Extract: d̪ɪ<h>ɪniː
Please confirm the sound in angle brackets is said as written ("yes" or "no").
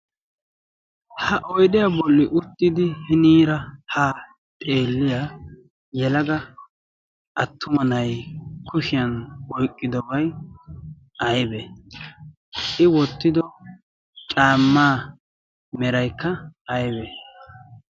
yes